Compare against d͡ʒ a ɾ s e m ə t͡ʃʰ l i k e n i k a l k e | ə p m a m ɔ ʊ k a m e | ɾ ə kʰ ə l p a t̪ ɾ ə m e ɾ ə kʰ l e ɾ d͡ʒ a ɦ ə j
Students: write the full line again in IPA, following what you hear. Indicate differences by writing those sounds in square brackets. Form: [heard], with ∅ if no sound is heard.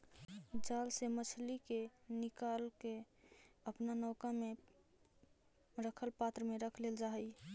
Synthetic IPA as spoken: d͡ʒ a [l] s e m ə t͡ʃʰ l i k e n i k a l k e | ə p [n] a [n] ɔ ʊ k a m e | ɾ ə kʰ ə l p a t̪ ɾ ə m e ɾ ə kʰ l e [l] d͡ʒ a ɦ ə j

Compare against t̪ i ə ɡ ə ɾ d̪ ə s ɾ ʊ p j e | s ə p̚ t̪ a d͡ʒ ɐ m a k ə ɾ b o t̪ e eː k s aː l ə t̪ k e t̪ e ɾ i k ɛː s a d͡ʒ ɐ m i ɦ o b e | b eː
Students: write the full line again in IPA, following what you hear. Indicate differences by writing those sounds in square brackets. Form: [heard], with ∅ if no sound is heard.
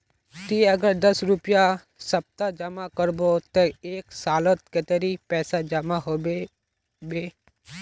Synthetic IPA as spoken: t̪ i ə ɡ ə ɾ d̪ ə s ɾ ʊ p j [a] | s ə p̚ t̪ a d͡ʒ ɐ m a k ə ɾ b o t̪ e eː k s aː l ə t̪ k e t̪ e ɾ i [p] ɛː s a d͡ʒ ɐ m [a] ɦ o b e | b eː

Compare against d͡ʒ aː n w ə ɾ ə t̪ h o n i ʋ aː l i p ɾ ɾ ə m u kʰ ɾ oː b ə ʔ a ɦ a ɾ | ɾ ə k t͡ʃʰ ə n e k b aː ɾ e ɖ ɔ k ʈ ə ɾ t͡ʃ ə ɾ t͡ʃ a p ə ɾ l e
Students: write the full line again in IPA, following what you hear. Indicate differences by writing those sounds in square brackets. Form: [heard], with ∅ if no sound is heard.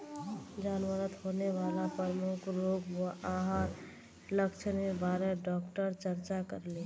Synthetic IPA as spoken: d͡ʒ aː n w ə ɾ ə t̪ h o n [e] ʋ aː l [a] p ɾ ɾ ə m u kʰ ɾ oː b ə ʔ a ɦ a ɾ | [l] ə k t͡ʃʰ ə n e [∅] b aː ɾ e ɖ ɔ k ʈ ə ɾ t͡ʃ ə ɾ t͡ʃ a [k] ə ɾ l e

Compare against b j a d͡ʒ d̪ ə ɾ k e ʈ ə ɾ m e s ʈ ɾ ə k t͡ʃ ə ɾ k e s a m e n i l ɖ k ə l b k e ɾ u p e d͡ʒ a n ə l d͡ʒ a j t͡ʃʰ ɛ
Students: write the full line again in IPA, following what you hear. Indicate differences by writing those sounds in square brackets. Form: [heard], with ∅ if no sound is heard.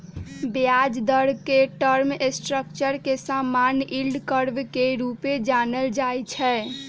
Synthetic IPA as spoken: b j a d͡ʒ d̪ ə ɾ k e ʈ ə ɾ m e s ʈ ɾ ə k t͡ʃ ə ɾ k e s a m [a] n i l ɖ k ə [ɾ] b k e ɾ u p e d͡ʒ a n ə l d͡ʒ a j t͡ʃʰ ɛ

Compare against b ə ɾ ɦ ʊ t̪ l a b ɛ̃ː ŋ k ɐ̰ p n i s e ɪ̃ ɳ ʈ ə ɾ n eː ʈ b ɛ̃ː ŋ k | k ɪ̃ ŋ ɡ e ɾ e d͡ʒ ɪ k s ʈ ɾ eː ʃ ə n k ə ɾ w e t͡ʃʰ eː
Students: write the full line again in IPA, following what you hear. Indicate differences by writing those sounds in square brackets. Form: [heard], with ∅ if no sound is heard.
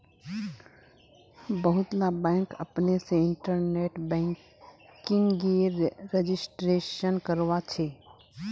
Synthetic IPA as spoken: b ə [∅] ɦ ʊ t̪ l a b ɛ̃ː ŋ k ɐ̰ p n [e] s e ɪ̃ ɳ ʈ ə ɾ n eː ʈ b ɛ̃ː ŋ k | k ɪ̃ ŋ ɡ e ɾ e d͡ʒ ɪ [∅] s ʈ ɾ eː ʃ ə n k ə ɾ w [a] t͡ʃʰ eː

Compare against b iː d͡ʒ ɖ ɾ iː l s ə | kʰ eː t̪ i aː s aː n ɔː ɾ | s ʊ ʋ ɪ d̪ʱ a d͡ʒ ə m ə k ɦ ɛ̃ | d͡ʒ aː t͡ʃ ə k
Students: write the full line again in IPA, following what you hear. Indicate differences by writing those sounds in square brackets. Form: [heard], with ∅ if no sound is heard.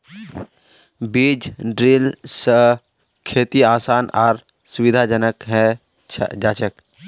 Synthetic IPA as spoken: b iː d͡ʒ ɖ ɾ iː l s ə | kʰ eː t̪ i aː s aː n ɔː ɾ | s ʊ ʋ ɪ d̪ʱ a d͡ʒ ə [n] ə k ɦ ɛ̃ | d͡ʒ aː t͡ʃ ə k

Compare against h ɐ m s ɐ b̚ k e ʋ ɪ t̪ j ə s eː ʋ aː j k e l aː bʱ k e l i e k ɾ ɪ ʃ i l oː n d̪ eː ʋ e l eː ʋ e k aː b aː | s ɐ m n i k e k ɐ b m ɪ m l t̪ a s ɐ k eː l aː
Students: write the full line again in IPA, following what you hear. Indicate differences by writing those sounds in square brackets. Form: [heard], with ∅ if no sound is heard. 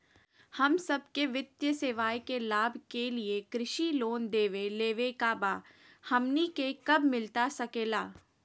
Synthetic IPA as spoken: h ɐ m s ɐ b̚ k e ʋ ɪ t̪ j ə s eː ʋ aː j k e l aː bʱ k e l i e k ɾ ɪ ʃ i l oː n d̪ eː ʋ e l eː ʋ e k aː b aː | [h] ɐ m n i k e k ɐ b m ɪ [∅] l t̪ a s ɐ k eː l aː

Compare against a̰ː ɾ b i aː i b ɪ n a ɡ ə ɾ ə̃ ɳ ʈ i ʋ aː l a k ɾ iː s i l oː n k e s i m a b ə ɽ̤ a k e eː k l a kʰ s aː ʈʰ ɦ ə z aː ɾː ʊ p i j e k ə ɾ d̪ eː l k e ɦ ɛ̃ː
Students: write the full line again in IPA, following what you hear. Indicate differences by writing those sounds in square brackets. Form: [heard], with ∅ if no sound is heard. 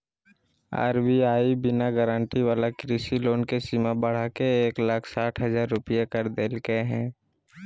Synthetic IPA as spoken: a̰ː ɾ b i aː i b ɪ n a ɡ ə ɾ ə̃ ɳ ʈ i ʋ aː l a k ɾ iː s i l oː n k e s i m a b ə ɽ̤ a k e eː k l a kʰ s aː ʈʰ ɦ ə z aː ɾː ʊ p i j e k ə ɾ d̪ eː l k e ɦ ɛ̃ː

